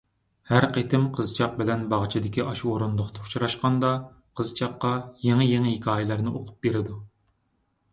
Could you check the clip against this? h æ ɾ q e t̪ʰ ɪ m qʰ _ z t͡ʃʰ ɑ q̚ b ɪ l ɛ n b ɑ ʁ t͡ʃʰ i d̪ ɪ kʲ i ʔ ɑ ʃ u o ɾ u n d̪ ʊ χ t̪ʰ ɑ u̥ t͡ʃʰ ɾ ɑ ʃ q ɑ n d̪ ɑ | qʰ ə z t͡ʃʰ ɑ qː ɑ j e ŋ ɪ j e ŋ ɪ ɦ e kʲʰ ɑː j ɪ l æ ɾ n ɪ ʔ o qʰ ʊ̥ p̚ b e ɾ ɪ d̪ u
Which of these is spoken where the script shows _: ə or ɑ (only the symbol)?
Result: ə